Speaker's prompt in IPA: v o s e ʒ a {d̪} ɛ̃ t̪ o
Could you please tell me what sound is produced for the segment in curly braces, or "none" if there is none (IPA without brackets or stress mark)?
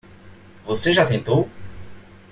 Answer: t̪